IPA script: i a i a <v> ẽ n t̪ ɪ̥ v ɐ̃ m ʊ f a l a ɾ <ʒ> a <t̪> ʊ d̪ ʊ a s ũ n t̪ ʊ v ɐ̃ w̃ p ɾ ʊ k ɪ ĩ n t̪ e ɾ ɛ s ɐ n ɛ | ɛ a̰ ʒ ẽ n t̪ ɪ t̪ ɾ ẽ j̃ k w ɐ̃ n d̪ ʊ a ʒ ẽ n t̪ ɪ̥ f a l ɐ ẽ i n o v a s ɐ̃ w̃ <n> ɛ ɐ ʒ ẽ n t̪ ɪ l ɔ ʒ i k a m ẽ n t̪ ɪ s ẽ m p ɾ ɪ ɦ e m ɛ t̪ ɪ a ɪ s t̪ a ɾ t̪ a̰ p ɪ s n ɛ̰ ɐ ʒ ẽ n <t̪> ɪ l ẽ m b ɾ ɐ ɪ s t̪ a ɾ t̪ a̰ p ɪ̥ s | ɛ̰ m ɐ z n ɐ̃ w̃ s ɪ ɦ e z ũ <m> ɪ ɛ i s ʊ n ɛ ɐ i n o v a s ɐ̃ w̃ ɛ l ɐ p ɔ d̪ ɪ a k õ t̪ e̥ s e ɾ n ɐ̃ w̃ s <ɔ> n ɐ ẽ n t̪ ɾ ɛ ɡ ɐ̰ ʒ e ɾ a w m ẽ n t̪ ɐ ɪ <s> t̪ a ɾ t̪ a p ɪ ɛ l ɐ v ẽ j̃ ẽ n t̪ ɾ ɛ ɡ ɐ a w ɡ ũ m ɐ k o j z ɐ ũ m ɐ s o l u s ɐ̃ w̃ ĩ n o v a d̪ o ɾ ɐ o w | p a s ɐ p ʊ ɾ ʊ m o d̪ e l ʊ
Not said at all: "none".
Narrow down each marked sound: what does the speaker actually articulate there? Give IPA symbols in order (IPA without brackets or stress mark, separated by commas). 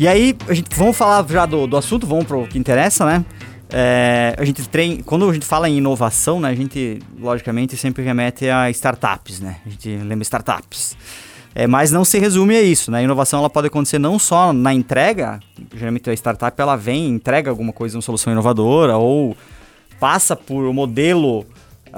ʒ, ʒ, d̪, n, t̪, m, ɔ, s